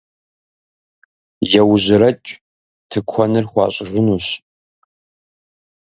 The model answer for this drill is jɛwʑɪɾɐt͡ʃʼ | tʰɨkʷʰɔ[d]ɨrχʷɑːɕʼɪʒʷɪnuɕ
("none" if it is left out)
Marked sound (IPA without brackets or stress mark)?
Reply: n